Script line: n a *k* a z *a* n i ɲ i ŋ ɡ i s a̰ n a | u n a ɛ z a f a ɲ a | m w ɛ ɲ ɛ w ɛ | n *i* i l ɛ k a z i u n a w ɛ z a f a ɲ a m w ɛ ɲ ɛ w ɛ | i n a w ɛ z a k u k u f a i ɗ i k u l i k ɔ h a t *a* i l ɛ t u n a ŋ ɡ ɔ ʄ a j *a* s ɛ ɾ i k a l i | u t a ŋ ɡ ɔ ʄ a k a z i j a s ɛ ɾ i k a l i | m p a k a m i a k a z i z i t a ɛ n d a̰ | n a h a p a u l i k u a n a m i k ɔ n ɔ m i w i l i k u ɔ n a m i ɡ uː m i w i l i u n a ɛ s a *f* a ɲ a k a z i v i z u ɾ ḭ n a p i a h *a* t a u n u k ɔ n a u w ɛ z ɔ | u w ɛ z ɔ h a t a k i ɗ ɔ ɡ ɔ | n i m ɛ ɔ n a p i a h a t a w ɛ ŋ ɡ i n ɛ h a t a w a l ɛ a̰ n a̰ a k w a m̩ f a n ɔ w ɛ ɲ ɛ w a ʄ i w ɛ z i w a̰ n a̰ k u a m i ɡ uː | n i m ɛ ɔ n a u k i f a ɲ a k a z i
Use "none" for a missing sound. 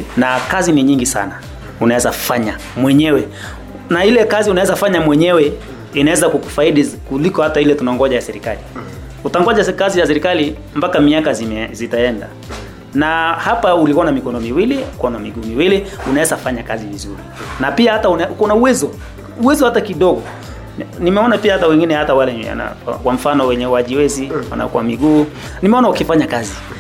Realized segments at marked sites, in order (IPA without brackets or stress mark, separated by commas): k, i, a, a, a, f, a